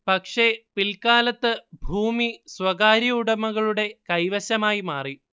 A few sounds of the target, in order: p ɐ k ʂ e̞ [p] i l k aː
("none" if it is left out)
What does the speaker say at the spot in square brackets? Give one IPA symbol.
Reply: p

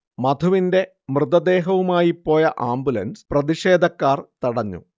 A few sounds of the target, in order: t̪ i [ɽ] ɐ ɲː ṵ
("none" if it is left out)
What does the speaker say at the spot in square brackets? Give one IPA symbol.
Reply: ɽ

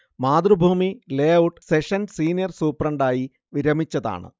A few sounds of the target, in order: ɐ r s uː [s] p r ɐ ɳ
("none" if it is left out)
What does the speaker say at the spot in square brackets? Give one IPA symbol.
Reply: none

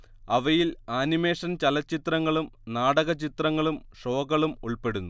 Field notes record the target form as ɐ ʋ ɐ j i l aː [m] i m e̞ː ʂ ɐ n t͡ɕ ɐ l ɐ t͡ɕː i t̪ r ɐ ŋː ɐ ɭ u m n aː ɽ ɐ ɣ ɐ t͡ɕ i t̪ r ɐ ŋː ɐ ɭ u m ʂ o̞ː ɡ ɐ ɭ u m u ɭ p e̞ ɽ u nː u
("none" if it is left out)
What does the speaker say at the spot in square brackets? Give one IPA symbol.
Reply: n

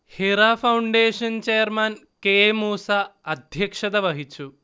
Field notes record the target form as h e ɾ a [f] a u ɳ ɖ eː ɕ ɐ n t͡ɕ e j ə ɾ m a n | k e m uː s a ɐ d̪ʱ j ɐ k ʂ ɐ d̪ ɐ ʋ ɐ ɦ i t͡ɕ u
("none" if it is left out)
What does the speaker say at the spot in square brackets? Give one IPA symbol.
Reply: f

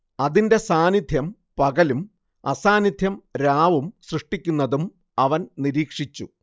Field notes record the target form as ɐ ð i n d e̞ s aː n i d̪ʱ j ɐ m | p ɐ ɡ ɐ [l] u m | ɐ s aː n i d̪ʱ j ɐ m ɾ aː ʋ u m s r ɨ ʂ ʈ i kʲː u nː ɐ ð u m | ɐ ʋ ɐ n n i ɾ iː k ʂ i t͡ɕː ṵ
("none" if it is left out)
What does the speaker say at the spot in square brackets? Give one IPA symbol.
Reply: l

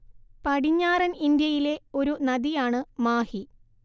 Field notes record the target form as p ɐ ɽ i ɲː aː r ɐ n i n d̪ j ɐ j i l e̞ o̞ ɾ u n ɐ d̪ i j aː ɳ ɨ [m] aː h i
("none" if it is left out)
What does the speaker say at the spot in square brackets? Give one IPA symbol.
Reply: m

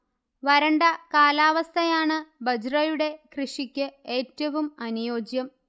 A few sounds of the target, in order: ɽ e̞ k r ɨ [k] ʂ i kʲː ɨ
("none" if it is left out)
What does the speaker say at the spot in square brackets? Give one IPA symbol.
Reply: none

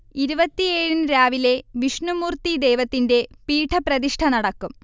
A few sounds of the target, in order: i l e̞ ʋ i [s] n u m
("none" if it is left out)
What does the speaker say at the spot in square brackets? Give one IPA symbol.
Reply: ʂ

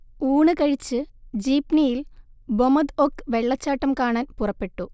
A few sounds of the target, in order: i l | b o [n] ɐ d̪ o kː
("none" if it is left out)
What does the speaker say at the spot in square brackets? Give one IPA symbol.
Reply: m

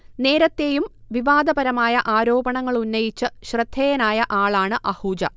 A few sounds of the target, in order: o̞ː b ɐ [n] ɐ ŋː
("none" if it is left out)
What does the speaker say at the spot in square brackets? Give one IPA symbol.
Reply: ɳ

